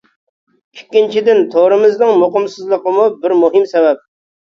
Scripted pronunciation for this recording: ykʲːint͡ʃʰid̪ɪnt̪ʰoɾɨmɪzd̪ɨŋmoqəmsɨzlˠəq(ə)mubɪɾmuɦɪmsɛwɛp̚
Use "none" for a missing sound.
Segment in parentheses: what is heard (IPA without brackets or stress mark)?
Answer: ə